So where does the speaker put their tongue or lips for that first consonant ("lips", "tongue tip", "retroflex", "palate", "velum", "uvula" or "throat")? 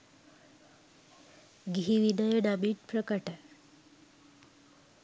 velum